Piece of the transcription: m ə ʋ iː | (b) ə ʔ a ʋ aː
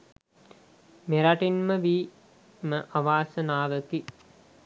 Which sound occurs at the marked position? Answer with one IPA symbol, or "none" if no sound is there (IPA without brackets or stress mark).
m